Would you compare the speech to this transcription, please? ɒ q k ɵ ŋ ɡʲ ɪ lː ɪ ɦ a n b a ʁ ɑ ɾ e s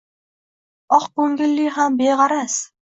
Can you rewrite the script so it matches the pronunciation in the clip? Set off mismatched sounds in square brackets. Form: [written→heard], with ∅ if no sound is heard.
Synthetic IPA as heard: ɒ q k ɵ ŋ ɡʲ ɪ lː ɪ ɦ a [n→m] b [a→e] ʁ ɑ ɾ [e→a] s